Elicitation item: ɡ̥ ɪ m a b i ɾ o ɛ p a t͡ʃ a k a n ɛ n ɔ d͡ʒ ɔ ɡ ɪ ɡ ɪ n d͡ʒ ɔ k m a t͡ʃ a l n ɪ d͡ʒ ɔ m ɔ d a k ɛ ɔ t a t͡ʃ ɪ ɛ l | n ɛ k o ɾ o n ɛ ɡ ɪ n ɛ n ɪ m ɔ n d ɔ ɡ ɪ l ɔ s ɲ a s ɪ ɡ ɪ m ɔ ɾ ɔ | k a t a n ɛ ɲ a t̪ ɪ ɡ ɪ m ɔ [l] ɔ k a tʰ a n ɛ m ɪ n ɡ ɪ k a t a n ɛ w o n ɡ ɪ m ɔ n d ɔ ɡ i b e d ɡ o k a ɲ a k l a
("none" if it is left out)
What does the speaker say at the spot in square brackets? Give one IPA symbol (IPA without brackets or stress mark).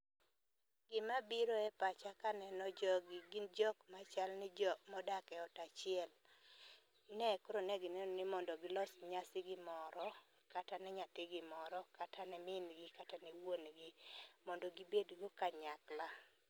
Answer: ɾ